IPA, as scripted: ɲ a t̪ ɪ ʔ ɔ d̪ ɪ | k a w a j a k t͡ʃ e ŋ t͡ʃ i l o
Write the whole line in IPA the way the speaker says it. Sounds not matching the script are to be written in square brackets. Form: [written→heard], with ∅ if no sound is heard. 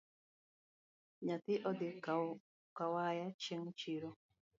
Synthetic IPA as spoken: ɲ a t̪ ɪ ʔ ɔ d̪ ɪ | k a w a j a [k→∅] t͡ʃ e ŋ t͡ʃ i [l→ɾ] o